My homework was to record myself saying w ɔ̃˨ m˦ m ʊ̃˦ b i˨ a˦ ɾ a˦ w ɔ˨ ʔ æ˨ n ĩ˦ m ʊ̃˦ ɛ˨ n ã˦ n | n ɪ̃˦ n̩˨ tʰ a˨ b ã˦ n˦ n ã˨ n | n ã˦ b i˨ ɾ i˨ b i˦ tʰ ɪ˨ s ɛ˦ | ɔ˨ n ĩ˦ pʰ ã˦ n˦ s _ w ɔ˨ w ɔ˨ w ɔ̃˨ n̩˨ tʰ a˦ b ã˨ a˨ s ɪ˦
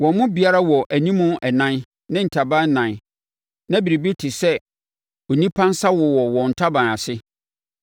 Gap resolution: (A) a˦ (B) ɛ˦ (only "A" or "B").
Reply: A